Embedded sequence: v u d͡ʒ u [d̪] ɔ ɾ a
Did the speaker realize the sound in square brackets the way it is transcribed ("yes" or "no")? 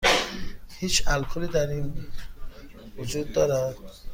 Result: no